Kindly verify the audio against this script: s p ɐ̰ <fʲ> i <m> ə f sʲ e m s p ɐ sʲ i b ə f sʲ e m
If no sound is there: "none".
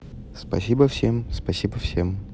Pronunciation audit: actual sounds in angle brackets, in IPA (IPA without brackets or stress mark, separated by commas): sʲ, b